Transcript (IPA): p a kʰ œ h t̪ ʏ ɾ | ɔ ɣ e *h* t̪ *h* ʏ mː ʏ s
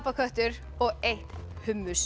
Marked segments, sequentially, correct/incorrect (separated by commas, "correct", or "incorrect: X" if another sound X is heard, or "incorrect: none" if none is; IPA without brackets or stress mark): correct, correct